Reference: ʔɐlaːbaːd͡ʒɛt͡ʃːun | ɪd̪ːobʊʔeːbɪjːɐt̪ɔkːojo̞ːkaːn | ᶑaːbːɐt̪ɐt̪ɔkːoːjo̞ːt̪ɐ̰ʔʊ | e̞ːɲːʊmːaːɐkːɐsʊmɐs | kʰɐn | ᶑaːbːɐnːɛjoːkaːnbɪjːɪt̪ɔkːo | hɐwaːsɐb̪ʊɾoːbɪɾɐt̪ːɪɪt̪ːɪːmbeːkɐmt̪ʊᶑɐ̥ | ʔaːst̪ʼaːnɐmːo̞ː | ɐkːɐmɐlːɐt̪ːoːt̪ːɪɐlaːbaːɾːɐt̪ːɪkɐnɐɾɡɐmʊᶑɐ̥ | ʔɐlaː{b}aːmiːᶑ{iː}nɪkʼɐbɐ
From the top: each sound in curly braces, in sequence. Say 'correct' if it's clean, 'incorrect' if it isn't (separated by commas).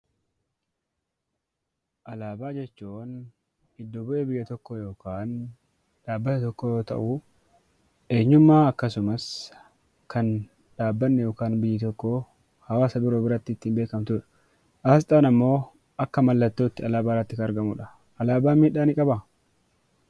correct, incorrect